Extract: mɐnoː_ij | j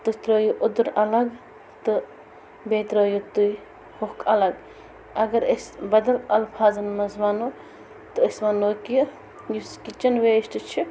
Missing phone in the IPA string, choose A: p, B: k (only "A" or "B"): B